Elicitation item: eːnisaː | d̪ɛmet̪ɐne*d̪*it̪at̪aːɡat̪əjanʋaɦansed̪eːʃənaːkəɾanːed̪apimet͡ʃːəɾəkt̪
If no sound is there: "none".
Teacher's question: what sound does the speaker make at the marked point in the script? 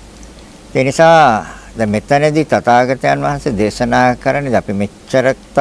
d̪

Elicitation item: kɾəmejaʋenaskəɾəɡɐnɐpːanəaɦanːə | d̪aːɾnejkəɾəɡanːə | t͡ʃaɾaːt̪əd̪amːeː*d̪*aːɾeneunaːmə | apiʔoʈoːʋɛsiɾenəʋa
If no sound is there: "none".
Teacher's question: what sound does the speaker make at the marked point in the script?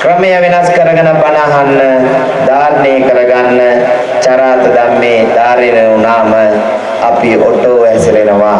d̪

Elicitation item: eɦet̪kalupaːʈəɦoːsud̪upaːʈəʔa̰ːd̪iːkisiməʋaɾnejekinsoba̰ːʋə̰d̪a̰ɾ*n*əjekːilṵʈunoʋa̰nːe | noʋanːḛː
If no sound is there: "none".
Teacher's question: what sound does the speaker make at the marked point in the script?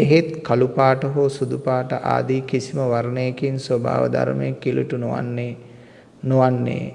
m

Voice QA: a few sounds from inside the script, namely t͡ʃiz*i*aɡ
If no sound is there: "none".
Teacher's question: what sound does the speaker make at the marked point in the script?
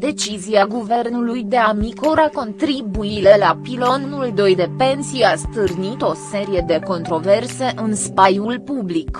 i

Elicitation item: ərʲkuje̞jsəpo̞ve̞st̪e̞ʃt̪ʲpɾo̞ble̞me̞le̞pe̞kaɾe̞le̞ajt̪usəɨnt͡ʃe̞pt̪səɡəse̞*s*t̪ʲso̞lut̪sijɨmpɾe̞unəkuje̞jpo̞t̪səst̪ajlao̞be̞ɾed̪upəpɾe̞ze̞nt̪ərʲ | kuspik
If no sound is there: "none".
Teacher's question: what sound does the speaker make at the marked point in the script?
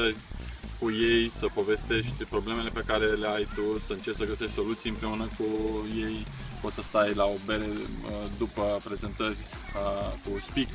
ʃ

